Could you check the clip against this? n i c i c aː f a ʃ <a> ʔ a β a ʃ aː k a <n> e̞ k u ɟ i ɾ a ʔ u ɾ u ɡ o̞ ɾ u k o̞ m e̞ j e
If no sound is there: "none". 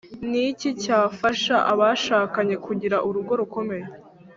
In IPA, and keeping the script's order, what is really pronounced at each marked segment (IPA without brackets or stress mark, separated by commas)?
a, ɲ